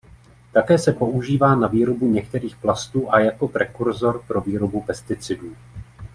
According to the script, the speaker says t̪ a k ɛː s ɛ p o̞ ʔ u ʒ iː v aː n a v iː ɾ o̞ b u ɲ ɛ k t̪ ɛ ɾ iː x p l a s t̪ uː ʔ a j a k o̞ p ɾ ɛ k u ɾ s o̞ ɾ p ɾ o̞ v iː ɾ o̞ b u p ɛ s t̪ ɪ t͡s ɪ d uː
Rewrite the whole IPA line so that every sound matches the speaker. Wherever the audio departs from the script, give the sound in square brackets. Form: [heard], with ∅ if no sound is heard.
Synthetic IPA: t̪ a k ɛː s ɛ p o̞ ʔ u ʒ iː v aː n a v iː ɾ o̞ b u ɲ ɛ k t̪ ɛ ɾ iː x p l a s t̪ uː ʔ a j a k o̞ p ɾ ɛ k u ɾ [z] o̞ ɾ p ɾ o̞ v iː ɾ o̞ b u p ɛ s t̪ ɪ t͡s ɪ d uː